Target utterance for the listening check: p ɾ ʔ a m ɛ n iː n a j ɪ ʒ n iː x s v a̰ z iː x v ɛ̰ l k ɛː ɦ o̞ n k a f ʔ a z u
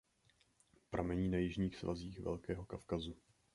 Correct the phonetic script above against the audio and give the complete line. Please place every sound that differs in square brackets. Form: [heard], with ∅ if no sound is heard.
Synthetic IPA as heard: p ɾ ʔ a m ɛ [ɲ] iː n a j ɪ ʒ [ɲ] iː x s v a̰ z iː x v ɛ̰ l k ɛː ɦ o̞ [∅] k a f [k] a z u